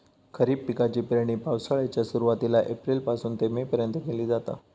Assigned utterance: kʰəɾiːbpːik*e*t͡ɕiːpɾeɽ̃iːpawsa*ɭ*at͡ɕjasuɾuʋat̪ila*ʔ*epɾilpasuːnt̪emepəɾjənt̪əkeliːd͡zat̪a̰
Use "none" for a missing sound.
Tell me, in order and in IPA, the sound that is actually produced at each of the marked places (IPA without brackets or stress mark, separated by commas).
a, ɭ, ʔ